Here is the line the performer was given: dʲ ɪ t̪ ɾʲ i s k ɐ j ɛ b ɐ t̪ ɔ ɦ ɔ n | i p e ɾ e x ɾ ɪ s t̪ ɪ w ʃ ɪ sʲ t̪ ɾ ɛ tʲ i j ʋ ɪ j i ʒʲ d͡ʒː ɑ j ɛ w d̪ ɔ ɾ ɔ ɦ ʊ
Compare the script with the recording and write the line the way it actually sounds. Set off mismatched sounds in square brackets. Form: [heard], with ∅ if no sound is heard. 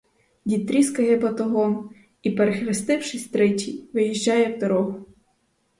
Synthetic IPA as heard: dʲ [i] t̪ ɾʲ i s k ɐ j ɛ b ɐ t̪ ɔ ɦ ɔ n | i p e ɾ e x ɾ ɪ s t̪ ɪ w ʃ ɪ sʲ t̪ ɾ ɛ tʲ i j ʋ ɪ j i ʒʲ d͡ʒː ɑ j ɛ w d̪ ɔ ɾ ɔ ɦ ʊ